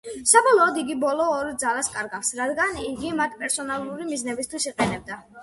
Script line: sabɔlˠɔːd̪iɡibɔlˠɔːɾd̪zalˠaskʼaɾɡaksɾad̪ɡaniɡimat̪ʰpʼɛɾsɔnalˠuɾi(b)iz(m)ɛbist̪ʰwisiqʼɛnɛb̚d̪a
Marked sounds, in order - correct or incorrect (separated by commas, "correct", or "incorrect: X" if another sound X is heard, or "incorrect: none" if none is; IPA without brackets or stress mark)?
incorrect: m, incorrect: n